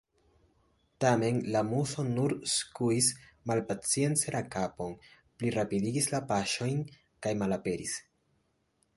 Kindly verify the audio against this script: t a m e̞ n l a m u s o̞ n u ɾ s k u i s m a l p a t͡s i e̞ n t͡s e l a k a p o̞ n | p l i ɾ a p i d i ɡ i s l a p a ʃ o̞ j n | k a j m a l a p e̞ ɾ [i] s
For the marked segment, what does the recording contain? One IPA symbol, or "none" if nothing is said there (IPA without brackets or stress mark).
i